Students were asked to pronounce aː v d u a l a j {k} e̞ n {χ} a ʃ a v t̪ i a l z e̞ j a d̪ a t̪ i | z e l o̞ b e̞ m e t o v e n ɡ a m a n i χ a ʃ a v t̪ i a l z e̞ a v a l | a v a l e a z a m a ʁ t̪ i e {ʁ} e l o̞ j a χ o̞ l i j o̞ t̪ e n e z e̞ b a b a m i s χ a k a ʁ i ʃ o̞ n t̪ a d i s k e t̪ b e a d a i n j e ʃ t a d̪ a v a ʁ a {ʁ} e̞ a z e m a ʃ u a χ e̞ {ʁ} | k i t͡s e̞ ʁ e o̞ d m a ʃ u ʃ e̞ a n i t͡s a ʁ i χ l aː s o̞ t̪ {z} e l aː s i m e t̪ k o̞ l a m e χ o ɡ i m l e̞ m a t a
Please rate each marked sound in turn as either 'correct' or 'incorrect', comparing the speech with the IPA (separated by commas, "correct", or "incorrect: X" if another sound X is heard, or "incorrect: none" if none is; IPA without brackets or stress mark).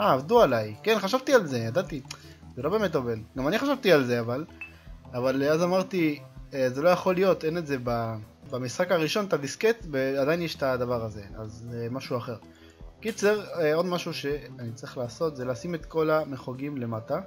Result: correct, correct, incorrect: z, incorrect: z, correct, correct